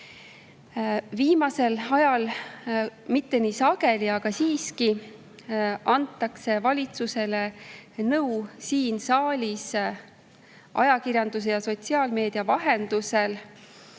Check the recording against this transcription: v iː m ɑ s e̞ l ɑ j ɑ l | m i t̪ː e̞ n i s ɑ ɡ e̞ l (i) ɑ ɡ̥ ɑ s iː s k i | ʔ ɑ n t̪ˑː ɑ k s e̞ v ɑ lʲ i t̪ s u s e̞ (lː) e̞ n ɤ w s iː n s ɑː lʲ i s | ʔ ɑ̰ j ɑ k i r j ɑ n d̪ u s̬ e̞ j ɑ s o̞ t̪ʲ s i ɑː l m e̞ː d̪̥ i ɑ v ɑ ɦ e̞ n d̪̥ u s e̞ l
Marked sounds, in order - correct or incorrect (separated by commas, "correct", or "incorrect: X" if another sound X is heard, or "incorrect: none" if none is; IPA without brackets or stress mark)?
correct, incorrect: l